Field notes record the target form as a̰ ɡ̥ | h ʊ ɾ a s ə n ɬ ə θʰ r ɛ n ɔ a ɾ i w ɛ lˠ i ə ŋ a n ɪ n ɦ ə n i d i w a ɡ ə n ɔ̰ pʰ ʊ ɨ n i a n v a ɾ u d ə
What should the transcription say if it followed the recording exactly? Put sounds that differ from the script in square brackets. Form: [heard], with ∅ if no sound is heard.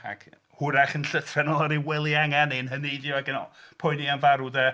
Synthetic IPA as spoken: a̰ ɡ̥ | h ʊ ɾ a [χ] ə n ɬ ə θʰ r ɛ n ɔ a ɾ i w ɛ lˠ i [a] ŋ a n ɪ n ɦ ə n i d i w a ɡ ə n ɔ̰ pʰ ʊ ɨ n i a n v a ɾ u d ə